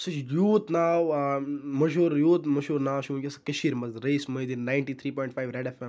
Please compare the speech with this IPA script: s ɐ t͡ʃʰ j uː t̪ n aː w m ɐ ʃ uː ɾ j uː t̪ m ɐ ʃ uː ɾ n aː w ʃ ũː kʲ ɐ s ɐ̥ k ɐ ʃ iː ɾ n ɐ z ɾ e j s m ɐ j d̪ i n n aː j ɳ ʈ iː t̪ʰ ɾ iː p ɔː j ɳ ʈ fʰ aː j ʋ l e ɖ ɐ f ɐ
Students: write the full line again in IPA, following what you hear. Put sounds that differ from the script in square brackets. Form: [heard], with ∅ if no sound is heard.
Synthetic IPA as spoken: s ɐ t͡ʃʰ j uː t̪ n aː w m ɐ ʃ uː ɾ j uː t̪ m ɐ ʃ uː ɾ n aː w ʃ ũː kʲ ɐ s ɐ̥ k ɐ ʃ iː ɾ [m] ɐ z ɾ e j s m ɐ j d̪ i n n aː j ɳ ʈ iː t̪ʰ ɾ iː p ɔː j ɳ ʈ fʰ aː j ʋ [ɾ] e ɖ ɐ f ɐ